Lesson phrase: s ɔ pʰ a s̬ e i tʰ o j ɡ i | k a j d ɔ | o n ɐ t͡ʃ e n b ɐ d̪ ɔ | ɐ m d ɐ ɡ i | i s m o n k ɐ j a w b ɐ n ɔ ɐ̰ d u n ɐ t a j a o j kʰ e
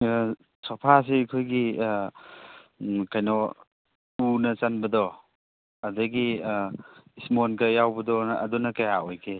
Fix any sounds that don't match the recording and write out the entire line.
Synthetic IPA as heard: s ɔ pʰ a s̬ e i kʰ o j ɡ i | k a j n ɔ | u n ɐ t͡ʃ a n b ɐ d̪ ɔ | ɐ d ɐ ɡ i | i s m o n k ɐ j a w b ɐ d ɔ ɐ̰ d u n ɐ k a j a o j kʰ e